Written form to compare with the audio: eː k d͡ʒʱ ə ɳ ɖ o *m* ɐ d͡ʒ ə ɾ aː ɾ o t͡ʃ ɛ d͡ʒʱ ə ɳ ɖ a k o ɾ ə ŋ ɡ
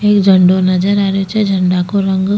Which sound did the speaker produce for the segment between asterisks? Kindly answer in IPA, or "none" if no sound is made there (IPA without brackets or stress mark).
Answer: n